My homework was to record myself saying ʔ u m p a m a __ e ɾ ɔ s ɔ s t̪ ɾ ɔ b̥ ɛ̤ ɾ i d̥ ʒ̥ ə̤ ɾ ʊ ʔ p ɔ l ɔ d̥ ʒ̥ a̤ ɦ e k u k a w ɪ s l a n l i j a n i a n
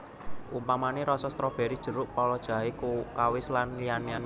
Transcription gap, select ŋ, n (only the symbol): n